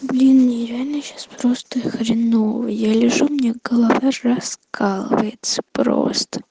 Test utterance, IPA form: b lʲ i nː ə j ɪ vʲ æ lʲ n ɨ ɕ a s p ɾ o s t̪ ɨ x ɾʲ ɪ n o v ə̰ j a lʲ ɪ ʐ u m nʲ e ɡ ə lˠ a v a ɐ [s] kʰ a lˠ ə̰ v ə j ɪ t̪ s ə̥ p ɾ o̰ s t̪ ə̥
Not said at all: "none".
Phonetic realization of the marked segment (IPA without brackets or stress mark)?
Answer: s